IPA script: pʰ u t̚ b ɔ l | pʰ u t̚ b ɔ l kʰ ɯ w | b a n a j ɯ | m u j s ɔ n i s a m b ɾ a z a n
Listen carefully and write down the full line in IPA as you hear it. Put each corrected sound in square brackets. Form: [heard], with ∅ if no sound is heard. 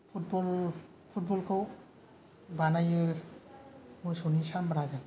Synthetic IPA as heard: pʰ u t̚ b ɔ l | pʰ u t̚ b ɔ l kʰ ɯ w | b a n a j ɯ | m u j s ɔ n i s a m b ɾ a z a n